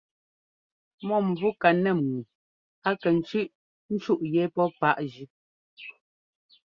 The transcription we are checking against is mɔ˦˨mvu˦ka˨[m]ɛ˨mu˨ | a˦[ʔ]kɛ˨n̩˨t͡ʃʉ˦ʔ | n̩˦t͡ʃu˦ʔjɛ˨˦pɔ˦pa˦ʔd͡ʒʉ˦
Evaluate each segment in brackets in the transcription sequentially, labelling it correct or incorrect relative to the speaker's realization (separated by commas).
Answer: incorrect, incorrect